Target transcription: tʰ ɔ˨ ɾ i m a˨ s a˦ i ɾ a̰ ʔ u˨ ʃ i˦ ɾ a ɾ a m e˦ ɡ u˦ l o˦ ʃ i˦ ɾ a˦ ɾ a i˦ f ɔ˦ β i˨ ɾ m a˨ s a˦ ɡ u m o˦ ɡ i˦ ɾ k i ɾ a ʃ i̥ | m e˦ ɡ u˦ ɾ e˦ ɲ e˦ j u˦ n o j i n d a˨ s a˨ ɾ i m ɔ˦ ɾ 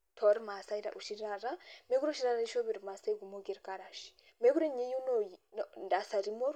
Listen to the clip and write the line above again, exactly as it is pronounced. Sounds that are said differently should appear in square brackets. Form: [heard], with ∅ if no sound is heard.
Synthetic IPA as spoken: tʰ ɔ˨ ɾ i m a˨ s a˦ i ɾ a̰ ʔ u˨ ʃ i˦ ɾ a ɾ a m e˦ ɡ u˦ [ɾ] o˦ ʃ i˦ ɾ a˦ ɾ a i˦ [ʃ] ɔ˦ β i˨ ɾ m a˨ s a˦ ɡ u m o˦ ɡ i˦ ɾ k [a] ɾ a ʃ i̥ | m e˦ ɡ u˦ ɾ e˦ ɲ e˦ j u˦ n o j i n d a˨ s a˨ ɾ i m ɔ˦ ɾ